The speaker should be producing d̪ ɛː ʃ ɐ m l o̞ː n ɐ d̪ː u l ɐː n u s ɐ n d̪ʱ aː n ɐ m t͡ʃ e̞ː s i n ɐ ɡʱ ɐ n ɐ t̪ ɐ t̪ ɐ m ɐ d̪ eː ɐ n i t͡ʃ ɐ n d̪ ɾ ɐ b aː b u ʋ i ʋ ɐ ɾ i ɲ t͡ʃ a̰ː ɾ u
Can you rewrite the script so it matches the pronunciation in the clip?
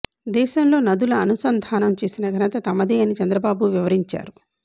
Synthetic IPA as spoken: d̪ ɛː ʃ ɐ m l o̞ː n ɐ d̪ u l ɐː n u s ɐ n d̪ʱ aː n ɐ m t͡ʃ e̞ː s i n ɐ ɡʱ ɐ n ɐ t̪ ɐ t̪ ɐ m ɐ d̪ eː ɐ n i t͡ʃ ɐ n d̪ ɾ ɐ b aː b u ʋ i ʋ ɐ ɾ i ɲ t͡ʃ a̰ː ɾ u